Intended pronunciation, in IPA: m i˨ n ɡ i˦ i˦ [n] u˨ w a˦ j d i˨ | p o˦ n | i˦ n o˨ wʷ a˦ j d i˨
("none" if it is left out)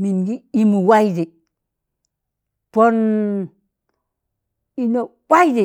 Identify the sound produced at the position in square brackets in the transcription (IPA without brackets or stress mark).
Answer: m